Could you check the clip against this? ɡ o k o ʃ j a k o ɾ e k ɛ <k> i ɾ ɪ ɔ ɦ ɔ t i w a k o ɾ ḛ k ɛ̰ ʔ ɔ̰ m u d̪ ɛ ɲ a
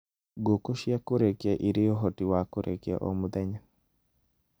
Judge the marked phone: incorrect: ʔ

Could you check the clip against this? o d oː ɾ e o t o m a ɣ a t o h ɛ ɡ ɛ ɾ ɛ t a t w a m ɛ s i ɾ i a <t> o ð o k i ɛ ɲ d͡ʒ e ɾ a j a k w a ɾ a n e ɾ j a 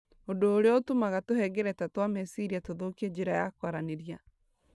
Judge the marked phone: correct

